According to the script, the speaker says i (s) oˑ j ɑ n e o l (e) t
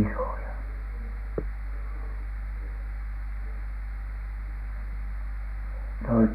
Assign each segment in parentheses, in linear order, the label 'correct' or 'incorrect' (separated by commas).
correct, incorrect